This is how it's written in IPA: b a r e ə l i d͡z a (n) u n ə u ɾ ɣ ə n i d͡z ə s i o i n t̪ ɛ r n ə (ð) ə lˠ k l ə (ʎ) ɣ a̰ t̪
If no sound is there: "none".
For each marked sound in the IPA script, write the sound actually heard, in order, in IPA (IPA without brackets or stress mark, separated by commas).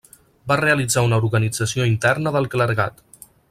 none, ð, ɾ